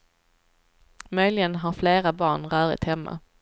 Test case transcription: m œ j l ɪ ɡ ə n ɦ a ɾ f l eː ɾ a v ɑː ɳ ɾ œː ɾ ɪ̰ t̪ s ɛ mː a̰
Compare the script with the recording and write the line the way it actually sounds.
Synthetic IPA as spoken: m œ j l ɪ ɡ ə n ɦ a ɾ f l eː ɾ a b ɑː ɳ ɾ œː ɾ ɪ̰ t̪ h ɛ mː a̰